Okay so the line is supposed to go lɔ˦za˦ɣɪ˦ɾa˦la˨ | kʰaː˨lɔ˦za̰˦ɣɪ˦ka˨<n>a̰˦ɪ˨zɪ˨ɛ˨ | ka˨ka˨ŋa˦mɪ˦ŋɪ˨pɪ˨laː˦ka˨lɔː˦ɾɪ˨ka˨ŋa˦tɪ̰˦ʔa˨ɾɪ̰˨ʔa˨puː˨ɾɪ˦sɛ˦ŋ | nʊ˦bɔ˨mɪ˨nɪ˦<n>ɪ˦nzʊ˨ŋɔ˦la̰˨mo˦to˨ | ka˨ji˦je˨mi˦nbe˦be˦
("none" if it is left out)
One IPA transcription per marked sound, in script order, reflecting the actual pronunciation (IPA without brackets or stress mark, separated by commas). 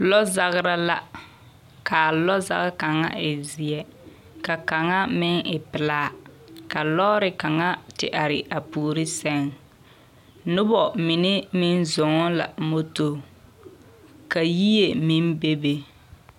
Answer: ŋ, m